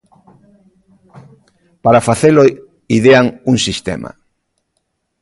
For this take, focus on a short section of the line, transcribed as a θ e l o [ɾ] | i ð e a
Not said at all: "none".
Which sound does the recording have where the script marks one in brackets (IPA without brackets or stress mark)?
none